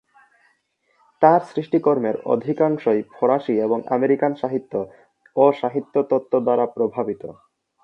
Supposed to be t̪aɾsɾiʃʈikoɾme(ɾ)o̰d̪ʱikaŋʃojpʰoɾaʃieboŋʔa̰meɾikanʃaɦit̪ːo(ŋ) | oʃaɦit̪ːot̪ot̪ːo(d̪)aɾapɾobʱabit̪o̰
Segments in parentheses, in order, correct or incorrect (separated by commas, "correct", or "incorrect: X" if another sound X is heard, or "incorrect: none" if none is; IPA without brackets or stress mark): correct, incorrect: none, correct